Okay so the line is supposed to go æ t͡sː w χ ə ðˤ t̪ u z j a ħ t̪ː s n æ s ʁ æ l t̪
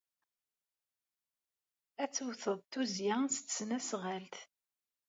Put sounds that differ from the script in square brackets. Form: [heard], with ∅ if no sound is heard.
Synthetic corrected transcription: æ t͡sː w [θ] ə ðˤ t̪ u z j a [s] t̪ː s n æ s ʁ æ l t̪